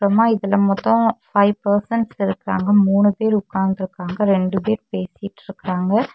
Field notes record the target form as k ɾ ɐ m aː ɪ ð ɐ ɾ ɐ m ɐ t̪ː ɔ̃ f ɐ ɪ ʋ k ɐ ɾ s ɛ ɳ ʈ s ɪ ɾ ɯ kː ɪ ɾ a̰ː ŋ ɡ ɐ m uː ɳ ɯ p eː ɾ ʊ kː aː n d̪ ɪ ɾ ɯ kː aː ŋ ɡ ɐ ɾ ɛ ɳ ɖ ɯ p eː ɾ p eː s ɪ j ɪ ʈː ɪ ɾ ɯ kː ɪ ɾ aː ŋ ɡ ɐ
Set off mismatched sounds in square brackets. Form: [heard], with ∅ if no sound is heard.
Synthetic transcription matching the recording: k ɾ ɐ m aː ɪ ð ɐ [l] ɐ m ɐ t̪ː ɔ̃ f ɐ ɪ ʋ [p] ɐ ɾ s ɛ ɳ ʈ s ɪ ɾ ɯ kː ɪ ɾ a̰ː ŋ ɡ ɐ m uː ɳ ɯ p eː ɾ ʊ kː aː n d̪ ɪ ɾ ɯ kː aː ŋ ɡ ɐ ɾ ɛ ɳ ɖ ɯ p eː ɾ p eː s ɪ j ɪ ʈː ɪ ɾ ɯ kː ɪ ɾ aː ŋ ɡ ɐ